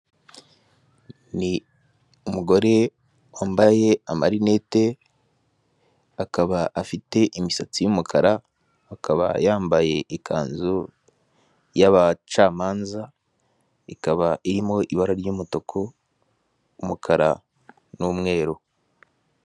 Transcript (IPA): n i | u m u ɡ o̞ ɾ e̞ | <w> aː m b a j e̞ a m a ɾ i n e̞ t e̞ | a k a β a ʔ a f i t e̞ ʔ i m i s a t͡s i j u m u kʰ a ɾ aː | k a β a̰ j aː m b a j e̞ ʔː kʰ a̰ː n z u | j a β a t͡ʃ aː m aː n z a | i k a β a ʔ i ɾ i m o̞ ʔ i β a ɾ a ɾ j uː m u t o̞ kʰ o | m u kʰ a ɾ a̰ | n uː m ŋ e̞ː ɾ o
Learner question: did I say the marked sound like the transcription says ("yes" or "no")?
yes